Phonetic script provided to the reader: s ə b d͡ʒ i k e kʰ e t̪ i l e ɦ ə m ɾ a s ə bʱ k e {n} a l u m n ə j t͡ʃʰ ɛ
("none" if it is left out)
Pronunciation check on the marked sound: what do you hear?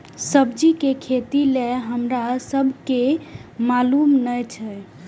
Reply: m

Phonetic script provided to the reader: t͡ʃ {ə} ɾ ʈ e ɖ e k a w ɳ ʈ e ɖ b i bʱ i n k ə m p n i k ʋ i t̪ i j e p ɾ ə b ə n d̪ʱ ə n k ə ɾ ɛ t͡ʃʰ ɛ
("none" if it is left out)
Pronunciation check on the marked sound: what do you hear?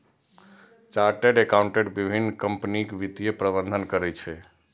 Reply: a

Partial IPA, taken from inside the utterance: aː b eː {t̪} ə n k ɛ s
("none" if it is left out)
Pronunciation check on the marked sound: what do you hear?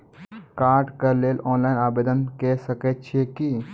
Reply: d̪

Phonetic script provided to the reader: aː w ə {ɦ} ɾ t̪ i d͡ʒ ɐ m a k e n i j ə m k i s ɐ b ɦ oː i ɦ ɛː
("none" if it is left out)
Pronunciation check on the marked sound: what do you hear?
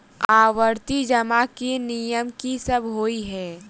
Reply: none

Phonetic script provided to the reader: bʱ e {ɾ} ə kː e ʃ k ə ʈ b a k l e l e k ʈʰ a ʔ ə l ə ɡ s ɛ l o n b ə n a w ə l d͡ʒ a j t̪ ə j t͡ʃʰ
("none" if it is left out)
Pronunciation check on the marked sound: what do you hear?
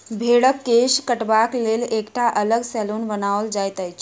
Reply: ɽ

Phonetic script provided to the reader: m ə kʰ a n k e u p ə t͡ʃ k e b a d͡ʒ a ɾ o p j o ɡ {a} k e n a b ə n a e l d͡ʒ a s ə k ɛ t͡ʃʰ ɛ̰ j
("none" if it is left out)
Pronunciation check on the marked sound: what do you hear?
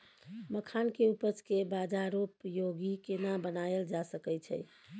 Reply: i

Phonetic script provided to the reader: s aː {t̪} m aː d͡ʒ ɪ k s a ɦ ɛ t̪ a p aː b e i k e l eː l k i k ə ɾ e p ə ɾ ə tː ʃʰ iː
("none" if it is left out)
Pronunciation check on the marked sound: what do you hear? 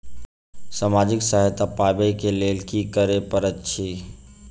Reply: none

